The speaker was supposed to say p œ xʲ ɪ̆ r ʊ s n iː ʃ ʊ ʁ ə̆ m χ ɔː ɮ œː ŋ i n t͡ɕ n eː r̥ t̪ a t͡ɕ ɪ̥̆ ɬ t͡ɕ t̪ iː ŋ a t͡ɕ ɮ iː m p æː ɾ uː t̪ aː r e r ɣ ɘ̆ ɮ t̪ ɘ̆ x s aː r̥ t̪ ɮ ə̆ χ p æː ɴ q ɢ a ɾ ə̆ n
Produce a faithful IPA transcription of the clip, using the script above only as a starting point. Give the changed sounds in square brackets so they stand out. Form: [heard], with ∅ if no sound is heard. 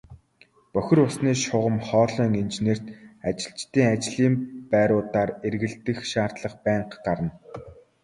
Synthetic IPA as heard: p œ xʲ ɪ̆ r ʊ s n iː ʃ ʊ ʁ ə̆ m χ ɔː ɮ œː ŋ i n t͡ɕ n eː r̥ t̪ a t͡ɕ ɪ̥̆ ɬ t͡ɕ t̪ iː ŋ a t͡ɕ ɮ iː m p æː ɾ [ʊː] t̪ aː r e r ɣ ɘ̆ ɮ t̪ ɘ̆ x [ʃ] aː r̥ t̪ ɮ ə̆ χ p æː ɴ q ɢ a ɾ ə̆ n